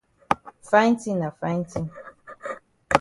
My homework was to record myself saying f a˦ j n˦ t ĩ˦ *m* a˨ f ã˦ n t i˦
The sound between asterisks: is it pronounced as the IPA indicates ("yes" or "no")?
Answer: no